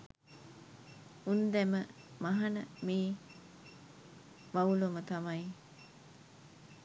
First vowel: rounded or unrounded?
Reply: rounded